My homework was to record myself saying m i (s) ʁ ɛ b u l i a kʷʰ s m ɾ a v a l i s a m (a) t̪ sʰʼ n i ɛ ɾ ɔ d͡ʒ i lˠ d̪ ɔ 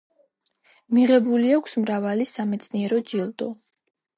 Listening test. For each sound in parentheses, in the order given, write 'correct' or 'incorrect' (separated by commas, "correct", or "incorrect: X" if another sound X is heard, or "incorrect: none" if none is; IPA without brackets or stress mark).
incorrect: none, incorrect: ɛ